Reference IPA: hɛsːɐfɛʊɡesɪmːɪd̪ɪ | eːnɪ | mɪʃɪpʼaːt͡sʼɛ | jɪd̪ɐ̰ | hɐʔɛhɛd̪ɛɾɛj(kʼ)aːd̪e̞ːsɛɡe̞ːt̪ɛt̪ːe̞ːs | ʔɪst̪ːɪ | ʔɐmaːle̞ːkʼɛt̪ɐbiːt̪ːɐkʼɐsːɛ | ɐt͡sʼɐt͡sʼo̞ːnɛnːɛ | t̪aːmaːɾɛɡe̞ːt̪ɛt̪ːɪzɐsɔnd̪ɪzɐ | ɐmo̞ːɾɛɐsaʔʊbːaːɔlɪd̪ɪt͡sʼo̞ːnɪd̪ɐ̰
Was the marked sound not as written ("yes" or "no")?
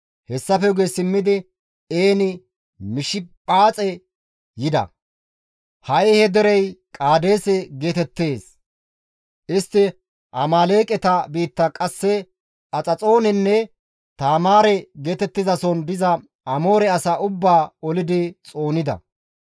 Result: no